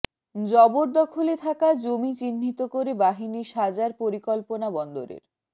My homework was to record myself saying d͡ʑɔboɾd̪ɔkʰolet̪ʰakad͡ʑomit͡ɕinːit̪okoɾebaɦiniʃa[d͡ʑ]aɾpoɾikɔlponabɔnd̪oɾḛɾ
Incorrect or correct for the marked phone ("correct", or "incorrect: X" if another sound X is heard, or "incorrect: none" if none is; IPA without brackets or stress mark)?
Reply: correct